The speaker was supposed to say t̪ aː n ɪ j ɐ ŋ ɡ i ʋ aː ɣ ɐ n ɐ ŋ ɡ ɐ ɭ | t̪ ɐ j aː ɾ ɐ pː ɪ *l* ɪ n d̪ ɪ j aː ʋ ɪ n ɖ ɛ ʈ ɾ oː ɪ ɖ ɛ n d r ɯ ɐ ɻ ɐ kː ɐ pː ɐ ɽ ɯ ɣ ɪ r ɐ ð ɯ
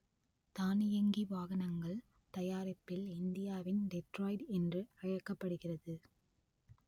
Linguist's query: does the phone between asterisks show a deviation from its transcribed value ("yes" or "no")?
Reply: no